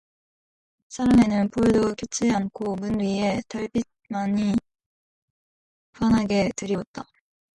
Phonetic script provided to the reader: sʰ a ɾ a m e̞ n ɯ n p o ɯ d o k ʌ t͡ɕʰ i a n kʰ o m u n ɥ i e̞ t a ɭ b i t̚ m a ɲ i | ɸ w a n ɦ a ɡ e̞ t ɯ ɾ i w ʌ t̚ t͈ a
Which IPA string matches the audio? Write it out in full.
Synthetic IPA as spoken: sʰ a ɾ a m e̞ n ɯ n p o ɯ d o k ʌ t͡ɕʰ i a n kʰ o m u n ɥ i e̞ t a ɭ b i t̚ m a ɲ i | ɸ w a n ɦ a ɡ e̞ t ɯ ɾ i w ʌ t̚ t͈ a

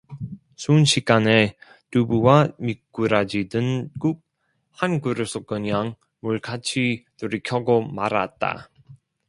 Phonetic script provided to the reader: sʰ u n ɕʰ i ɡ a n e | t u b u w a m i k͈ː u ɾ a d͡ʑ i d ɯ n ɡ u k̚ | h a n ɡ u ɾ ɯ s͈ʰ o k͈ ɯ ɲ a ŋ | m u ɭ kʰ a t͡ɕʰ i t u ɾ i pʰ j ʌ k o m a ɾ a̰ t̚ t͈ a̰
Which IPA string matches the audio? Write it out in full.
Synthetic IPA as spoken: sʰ u n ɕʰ i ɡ a n e | t u b u w a m i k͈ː u ɾ a d͡ʑ i d ɯ n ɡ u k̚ | h a n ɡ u ɾ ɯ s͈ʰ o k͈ ɯ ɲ a ŋ | m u ɭ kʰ a t͡ɕʰ i t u ɾ i kʰ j ʌ ɡ o m a ɾ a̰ t̚ t͈ a̰

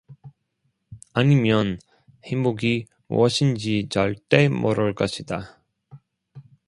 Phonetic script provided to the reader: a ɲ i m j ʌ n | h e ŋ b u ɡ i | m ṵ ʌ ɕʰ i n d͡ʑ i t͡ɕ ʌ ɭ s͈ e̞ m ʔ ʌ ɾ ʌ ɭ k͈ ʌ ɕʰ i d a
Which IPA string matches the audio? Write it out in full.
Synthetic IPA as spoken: a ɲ i m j ʌ n | h e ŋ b u ɡ i | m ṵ ʌ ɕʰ i n d͡ʑ i t͡ɕ ʌ ɭ t͈ e̞ m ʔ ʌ ɾ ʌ ɭ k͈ ʌ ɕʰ i d a

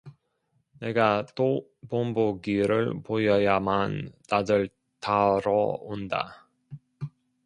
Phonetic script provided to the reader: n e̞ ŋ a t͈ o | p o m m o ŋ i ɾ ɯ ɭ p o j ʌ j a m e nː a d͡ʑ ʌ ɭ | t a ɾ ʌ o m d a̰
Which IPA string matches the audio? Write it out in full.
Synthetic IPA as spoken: n e̞ ɡ a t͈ o | p o m b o ɡ i ɾ ɯ ɭ p o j ʌ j a m a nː a d͡ʑ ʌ ɭ | t a ɾ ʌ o n d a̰

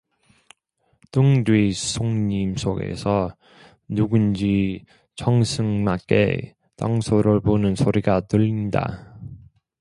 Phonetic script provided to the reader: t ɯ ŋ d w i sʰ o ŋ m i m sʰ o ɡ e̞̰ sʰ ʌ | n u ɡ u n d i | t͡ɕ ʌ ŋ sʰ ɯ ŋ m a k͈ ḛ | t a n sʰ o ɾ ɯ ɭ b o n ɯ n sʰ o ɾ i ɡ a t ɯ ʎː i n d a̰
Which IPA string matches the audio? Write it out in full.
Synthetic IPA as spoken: t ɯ ŋ d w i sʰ o ŋ ɲ i m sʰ o ɡ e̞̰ sʰ ʌ | n u ɡ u n d͡ʑ i | t͡ɕ ʌ ŋ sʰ ɯ ŋ m a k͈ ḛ | t a ŋ sʰ o ɾ ɯ ɭ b o n ɯ n sʰ o ɾ i ɡ a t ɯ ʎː i n d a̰

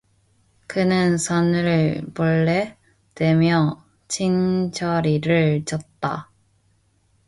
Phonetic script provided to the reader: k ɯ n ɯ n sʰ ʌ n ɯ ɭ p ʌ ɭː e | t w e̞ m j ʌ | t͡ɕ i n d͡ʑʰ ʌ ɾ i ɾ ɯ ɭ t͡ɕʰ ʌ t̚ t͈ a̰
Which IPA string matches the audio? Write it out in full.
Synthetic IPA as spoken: k ɯ n ɯ n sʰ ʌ n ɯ ɭ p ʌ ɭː e | t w e̞ m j ʌ | t͡ɕʰ i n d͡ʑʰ ʌ ɾ i ɾ ɯ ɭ t͡ɕ ʌ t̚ t͈ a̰

